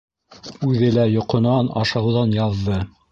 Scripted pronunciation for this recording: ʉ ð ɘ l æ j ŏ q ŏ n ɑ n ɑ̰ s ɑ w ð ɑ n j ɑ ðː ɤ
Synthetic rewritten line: ʉ ð ɘ l æ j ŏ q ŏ n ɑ n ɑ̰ ʃ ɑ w ð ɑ n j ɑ ðː ɤ

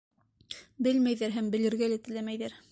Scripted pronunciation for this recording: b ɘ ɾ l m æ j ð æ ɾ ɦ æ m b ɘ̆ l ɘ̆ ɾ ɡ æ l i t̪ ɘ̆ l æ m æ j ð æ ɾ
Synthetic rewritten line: b ɘ l m æ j ð æ ɾ ɦ æ m b ɘ̆ l ɘ̆ ɾ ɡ æ l æ t̪ ɘ̆ l æ m æ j ð æ ɾ

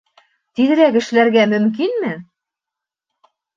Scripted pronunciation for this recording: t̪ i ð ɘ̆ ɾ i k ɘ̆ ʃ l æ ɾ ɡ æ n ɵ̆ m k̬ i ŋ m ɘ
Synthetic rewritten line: t̪ i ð ɘ̆ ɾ æ k ɘ̆ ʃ l æ ɾ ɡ æ m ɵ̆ m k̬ i n m ɘ

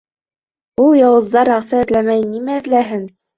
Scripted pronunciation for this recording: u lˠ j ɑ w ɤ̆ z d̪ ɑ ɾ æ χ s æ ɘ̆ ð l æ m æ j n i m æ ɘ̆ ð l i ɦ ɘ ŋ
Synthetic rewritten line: u lˠ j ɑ w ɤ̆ z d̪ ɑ ɾ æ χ s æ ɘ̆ ð l æ m æ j n i m æ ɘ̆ ð l æ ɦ ɘ n

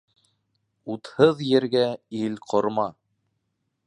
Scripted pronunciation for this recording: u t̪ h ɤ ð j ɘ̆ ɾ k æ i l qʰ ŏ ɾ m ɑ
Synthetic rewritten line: u t̪ h ɤ ð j ɘ̆ ɾ ɡ æ i l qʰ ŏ ɾ m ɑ

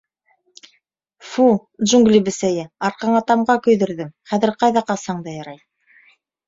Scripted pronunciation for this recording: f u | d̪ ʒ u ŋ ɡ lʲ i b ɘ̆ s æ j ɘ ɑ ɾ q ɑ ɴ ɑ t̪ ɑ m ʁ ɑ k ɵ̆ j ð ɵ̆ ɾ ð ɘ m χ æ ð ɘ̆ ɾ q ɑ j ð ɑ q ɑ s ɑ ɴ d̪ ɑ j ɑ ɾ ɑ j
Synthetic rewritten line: f u | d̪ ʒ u ŋ ɡ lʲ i b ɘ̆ s æ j ɘ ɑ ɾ q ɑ ɴ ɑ t̪ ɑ m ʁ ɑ k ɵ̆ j ð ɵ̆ ɾ ð ɘ m χ æ ð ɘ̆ ɾ q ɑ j ð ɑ q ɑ s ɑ ɴ d̪ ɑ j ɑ ɾ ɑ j

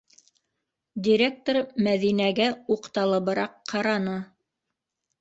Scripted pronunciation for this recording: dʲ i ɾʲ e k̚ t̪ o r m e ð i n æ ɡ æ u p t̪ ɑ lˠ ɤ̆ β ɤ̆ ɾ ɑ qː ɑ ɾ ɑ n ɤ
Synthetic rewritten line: dʲ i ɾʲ e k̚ t̪ o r m æ ð i n æ ɡ æ u q t̪ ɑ lˠ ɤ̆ β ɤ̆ ɾ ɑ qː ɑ ɾ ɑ n ɤ

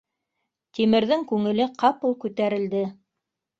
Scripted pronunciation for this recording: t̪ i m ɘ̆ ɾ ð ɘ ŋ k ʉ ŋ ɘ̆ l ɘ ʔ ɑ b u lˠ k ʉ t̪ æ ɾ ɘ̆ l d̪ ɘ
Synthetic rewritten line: t̪ i m ɘ̆ ɾ ð ɘ ŋ k ʉ ŋ ɘ̆ l ɘ q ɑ p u lˠ k ʉ t̪ æ ɾ ɘ̆ l d̪ ɘ

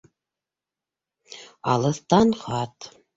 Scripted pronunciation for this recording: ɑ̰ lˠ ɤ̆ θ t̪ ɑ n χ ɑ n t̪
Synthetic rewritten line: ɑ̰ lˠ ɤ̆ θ t̪ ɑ n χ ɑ t̪

